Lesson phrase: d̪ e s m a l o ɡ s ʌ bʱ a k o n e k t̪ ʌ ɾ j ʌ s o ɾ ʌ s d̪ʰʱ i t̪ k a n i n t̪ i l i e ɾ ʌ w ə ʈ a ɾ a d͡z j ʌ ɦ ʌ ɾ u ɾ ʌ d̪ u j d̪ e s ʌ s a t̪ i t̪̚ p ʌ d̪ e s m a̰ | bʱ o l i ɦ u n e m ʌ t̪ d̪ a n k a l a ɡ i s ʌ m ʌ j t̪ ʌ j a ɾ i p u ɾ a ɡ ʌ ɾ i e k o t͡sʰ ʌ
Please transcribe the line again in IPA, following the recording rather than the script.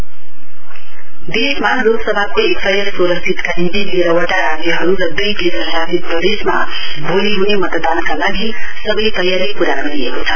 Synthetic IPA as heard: d̪ e s m a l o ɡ s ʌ bʱ a k o e k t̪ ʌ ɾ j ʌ s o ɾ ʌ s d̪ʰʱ i t̪ k a n i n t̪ i l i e ɾ ʌ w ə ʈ a ɾ a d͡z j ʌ ɦ ʌ ɾ u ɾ ʌ d̪ u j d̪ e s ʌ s a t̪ i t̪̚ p ʌ d̪ e s m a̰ | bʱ o l i ɦ u n e m ʌ t̪ d̪ a n k a l a ɡ i s ʌ b ʌ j t̪ ʌ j a ɾ i p u ɾ a ɡ ʌ ɾ i e k o t͡sʰ ʌ